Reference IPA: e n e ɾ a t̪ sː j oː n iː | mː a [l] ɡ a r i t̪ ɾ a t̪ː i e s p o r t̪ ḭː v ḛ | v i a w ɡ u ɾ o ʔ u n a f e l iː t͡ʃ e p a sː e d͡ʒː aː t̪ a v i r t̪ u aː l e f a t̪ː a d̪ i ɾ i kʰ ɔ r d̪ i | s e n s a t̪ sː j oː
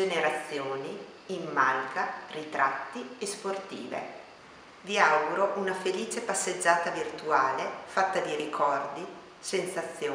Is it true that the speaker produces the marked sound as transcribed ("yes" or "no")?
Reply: yes